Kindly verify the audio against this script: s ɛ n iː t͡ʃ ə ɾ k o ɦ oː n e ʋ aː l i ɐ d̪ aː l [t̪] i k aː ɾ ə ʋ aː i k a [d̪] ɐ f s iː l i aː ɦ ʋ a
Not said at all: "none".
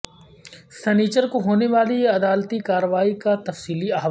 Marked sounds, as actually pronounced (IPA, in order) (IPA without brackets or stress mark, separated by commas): t̪, t̪